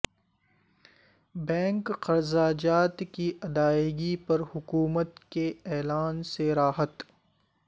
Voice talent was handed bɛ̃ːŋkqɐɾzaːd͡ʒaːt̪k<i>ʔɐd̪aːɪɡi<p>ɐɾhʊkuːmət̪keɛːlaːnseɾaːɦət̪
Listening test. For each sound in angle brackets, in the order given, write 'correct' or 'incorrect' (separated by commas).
correct, correct